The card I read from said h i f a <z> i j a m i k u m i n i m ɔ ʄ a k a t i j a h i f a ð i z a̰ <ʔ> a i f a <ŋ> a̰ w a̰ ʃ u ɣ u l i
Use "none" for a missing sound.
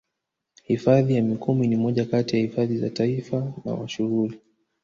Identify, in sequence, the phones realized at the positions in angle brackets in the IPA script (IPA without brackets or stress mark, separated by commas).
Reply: ð, t, n